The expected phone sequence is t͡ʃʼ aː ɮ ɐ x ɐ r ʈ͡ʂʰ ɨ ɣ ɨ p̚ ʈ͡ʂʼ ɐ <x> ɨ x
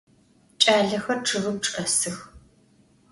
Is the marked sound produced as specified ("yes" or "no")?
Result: no